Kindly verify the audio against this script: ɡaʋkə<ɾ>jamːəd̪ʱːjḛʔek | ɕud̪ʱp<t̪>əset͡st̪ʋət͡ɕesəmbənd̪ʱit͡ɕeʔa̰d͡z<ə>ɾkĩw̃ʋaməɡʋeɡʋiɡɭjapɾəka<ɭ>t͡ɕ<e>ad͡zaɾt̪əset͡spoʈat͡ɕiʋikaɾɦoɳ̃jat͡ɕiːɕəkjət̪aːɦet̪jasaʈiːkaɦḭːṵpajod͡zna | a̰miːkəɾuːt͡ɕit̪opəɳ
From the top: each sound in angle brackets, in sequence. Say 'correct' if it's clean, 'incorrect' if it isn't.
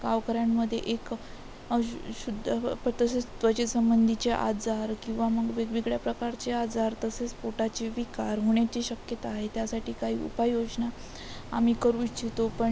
correct, correct, incorrect: a, incorrect: ɾ, correct

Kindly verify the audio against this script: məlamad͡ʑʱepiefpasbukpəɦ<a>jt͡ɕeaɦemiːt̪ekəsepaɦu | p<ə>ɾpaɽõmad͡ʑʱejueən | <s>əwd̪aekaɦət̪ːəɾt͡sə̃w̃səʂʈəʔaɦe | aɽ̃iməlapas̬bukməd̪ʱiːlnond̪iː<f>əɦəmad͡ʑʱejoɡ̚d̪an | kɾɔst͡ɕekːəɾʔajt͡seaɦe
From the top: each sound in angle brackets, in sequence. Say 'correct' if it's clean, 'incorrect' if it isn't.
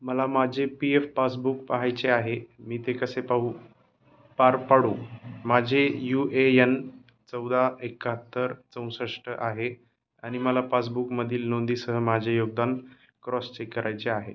correct, incorrect: a, incorrect: t͡s, incorrect: s

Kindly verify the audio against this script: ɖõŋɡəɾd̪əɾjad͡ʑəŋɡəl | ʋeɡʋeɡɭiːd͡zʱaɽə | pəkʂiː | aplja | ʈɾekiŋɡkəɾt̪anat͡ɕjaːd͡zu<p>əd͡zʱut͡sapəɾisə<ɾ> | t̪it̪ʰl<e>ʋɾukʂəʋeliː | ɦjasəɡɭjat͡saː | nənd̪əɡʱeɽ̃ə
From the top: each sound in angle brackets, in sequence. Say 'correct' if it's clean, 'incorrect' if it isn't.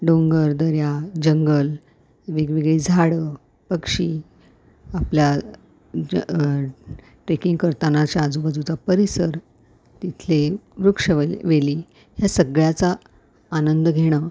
incorrect: b, correct, correct

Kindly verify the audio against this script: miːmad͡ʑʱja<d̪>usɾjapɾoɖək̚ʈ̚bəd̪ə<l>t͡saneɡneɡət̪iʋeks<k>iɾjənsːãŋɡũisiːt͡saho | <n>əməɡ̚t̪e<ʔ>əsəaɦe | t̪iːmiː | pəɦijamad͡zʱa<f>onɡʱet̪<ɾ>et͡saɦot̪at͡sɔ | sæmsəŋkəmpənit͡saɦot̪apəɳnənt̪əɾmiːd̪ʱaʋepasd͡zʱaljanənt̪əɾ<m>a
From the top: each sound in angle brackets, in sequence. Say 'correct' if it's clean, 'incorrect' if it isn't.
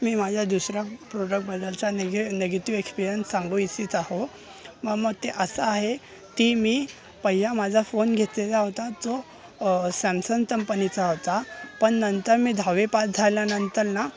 correct, correct, incorrect: p, incorrect: m, correct, correct, incorrect: l, incorrect: n

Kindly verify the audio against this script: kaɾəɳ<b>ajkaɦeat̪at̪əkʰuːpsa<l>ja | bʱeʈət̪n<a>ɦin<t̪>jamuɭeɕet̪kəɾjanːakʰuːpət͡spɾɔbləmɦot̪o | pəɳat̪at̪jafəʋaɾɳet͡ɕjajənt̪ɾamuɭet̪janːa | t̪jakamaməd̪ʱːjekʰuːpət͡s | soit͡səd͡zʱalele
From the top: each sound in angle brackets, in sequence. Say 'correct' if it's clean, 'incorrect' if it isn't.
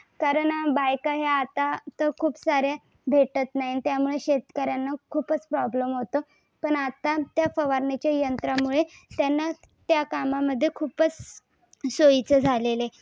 correct, incorrect: ɾ, correct, correct

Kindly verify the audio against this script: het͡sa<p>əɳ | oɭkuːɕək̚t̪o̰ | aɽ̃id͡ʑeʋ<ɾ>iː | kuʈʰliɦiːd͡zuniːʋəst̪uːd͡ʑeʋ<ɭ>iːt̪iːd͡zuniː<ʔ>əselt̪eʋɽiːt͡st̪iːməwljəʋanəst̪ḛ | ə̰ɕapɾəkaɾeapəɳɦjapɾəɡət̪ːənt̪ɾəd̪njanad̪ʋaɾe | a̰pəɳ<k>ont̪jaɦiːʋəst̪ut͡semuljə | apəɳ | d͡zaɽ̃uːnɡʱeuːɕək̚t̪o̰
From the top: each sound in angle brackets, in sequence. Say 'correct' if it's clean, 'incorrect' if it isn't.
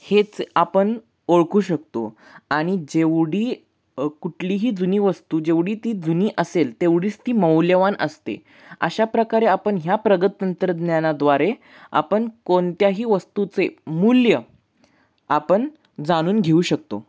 correct, incorrect: ɽ, incorrect: ɽ, correct, correct

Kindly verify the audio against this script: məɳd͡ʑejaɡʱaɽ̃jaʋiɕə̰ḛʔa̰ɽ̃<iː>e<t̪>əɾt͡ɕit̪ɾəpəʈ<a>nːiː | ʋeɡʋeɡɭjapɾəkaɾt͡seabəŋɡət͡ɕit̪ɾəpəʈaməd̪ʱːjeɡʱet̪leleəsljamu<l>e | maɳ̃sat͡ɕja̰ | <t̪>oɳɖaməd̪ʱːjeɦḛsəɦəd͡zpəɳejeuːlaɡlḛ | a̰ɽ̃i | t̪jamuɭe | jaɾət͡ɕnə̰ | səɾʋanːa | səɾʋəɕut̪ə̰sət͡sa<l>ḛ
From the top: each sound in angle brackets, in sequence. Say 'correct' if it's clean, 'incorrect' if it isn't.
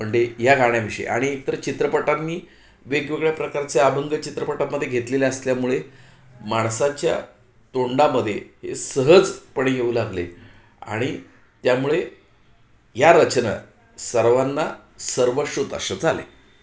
incorrect: i, correct, correct, incorrect: ɭ, correct, correct

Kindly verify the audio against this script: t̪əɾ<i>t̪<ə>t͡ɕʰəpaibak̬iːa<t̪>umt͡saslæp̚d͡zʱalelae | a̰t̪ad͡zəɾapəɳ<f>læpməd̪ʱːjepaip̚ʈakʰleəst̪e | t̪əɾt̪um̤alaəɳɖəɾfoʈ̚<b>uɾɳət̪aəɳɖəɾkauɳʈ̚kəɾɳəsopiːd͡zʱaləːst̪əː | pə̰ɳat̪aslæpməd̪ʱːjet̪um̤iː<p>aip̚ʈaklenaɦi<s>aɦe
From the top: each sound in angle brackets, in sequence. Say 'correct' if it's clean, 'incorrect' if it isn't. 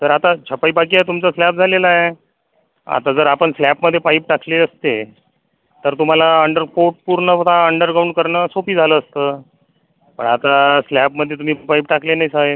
incorrect: a, incorrect: a, correct, incorrect: s, incorrect: p, correct, correct

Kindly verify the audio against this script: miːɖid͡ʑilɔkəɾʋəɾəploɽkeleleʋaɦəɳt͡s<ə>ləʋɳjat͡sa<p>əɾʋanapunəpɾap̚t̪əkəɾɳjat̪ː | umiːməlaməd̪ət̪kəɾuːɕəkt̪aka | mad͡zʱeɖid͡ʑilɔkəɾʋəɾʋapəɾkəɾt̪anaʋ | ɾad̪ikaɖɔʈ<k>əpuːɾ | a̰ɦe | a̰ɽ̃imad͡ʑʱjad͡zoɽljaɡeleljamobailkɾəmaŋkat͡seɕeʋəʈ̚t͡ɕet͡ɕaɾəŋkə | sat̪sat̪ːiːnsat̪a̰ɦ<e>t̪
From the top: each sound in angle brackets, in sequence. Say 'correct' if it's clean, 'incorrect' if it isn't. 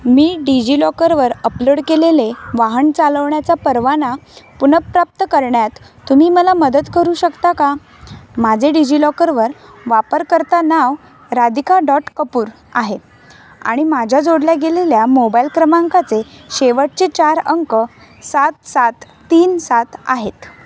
incorrect: a, correct, correct, correct

